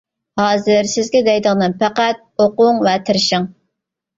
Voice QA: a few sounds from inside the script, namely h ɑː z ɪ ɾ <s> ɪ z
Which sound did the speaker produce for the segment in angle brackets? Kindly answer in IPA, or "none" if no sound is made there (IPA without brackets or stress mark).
s